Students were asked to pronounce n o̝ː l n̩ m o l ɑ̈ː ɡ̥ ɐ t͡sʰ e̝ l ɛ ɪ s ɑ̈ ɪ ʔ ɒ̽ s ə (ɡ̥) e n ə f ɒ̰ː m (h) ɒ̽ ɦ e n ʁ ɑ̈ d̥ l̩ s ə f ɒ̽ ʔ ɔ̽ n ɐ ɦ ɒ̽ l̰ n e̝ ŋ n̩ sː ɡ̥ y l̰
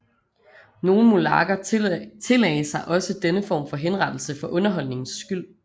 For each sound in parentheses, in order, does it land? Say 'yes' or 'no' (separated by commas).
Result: no, no